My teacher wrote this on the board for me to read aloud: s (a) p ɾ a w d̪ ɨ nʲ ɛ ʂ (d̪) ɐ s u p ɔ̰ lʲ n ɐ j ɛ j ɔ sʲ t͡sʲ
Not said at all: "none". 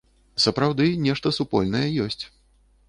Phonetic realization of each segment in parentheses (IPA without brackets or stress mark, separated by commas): ɐ, t̪